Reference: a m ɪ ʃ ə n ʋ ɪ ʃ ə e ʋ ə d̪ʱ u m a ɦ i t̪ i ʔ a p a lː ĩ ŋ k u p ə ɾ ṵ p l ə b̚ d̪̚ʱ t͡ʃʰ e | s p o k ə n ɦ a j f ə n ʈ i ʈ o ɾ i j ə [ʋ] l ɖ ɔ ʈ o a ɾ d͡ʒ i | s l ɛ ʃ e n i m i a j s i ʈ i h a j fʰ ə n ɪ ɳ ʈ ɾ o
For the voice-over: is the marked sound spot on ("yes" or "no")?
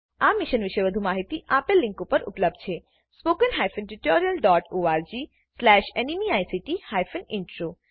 no